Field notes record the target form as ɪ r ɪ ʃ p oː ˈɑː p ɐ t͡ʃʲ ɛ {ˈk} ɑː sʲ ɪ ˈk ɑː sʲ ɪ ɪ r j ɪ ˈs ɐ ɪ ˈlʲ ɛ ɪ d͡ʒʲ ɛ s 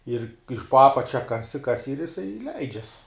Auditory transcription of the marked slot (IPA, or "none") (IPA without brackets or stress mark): k